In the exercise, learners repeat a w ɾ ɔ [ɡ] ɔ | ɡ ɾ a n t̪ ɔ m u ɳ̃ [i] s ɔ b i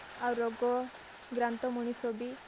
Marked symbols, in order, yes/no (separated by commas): yes, yes